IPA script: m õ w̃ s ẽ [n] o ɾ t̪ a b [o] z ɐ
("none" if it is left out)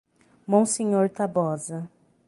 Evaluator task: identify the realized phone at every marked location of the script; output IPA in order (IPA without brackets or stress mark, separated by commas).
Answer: ɲ, ɔ